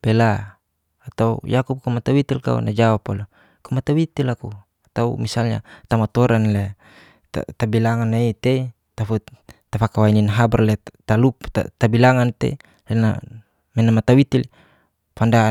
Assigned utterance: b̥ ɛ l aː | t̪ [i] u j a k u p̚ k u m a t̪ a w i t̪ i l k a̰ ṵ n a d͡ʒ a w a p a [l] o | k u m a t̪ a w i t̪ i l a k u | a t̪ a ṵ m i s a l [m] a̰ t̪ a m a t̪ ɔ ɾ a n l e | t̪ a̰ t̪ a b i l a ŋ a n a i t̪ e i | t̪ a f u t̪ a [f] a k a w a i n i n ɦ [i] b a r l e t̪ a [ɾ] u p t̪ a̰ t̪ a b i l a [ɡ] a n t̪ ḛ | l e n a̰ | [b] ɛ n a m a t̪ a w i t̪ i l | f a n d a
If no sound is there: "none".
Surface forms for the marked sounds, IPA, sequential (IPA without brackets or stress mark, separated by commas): a, l, ɲ, f, a, l, ŋ, m